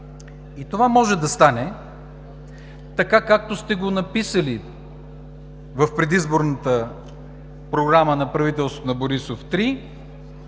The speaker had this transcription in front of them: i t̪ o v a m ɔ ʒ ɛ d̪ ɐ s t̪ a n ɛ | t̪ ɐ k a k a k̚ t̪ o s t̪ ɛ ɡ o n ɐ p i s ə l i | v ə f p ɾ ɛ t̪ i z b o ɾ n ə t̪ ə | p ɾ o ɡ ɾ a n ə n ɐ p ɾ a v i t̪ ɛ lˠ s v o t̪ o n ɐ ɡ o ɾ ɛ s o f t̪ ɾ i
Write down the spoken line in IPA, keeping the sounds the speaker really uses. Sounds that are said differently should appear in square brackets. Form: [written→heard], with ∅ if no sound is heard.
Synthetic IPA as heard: i t̪ o v a m ɔ ʒ ɛ d̪ ɐ s t̪ a n ɛ | t̪ ɐ k a k a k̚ t̪ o s t̪ ɛ ɡ o n ɐ p i s ə l i | v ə f p ɾ ɛ [t̪→d̪] i z b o ɾ n ə t̪ ə | p ɾ o ɡ ɾ a [n→m] ə n ɐ p ɾ [a→ɐ] v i t̪ ɛ lˠ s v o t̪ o n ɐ [ɡ→b] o ɾ [ɛ→i] s o f t̪ ɾ i